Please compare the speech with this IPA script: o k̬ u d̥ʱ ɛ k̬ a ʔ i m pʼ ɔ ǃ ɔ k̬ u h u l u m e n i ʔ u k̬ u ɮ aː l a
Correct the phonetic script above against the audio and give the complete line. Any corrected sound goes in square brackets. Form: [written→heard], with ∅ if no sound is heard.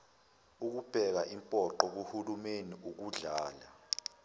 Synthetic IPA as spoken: [o→u] k̬ u [d̥ʱ→b̥ʱ] ɛ k̬ a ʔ i m pʼ ɔ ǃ ɔ k̬ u h u l u m e n i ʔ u k̬ u ɮ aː l a